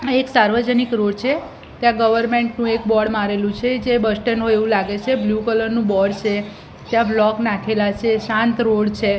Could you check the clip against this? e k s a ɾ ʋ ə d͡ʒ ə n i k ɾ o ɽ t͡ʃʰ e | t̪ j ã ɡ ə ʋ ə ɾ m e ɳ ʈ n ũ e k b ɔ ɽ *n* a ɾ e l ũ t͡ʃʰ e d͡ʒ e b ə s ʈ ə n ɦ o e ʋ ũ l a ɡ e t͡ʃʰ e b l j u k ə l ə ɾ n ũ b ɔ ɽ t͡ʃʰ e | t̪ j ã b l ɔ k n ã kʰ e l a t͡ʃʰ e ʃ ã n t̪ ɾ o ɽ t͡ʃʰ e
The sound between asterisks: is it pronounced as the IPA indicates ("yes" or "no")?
no